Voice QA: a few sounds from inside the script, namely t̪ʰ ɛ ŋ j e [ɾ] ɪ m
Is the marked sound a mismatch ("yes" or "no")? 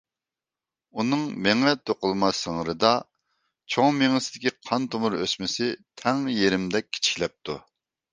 no